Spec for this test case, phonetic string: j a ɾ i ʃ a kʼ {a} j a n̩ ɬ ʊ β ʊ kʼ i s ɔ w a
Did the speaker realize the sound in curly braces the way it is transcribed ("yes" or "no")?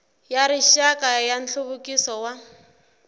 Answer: yes